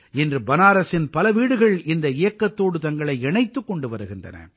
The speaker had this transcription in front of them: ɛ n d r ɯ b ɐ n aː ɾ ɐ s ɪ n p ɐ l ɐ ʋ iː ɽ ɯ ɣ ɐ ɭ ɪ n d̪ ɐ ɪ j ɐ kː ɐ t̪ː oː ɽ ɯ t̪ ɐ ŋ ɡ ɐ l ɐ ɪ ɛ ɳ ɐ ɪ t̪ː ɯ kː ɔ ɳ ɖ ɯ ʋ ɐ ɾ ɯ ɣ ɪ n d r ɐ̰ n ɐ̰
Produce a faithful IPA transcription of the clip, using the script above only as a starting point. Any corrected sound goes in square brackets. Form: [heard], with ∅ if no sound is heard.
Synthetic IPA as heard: ɛ n d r ɯ b ɐ n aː ɾ ɐ s ɪ n p ɐ l ɐ ʋ iː ɽ ɯ ɣ ɐ ɭ ɪ n d̪ ɐ ɪ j ɐ kː ɐ t̪ː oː ɽ ɯ t̪ ɐ ŋ ɡ ɐ [ɭ] ɐ ɪ ɛ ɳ ɐ ɪ t̪ː ɯ kː ɔ ɳ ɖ ɯ ʋ ɐ ɾ ɯ ɣ ɪ n d r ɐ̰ n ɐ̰